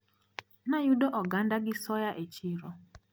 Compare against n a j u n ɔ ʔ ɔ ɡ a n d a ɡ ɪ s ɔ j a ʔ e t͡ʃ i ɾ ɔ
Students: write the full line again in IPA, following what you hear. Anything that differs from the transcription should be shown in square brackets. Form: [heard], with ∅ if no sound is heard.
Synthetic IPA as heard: n a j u [d] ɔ ʔ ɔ ɡ a n d a ɡ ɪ s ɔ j a ʔ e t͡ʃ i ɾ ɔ